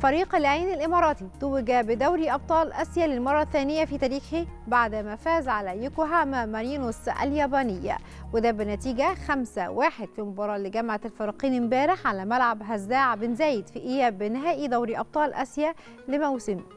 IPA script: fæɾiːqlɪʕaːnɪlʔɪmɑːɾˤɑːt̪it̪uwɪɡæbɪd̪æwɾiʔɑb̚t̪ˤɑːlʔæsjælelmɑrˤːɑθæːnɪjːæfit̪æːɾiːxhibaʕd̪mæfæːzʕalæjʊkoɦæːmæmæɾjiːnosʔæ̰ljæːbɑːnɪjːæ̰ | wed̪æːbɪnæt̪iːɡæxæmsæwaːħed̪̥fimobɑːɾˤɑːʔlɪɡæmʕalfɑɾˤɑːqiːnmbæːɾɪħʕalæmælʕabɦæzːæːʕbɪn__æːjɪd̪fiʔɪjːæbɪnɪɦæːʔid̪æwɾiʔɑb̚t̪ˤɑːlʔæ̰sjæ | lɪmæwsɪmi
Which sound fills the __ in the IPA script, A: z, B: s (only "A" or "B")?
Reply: A